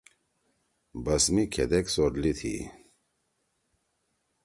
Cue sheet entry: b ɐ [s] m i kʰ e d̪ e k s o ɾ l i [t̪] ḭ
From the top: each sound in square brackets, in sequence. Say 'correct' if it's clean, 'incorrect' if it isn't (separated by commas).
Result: correct, incorrect